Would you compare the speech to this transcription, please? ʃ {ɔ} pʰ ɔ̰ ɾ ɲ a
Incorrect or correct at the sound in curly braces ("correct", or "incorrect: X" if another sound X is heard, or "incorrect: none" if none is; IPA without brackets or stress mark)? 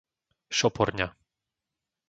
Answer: correct